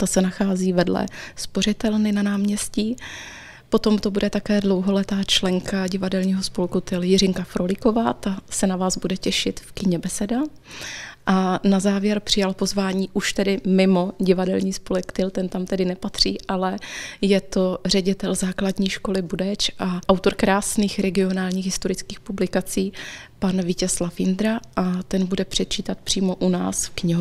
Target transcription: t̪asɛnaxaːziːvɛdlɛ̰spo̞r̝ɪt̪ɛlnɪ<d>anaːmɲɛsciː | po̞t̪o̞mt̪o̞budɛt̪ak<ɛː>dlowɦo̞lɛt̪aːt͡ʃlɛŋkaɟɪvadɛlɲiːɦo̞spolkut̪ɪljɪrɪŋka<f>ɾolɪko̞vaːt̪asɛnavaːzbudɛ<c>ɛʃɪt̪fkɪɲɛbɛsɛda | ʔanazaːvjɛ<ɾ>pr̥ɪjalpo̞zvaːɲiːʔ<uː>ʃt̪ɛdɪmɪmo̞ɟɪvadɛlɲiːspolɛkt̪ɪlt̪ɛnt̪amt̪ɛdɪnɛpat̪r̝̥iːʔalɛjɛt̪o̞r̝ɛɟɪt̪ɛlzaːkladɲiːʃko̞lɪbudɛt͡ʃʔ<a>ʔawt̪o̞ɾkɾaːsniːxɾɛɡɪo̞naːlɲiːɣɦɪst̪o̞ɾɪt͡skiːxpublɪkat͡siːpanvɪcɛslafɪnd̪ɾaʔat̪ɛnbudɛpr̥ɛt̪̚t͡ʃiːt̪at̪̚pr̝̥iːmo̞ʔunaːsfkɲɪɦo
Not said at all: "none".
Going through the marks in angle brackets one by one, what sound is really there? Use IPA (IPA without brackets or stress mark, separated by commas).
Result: n, ɛː, f, c, ɾ, u, a